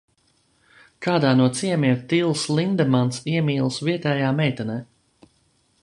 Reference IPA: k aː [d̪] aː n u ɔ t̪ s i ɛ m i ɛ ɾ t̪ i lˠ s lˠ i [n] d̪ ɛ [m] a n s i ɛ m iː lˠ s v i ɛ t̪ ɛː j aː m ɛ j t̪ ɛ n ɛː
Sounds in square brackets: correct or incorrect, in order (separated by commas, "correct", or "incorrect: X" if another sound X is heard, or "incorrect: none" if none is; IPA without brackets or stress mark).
correct, correct, correct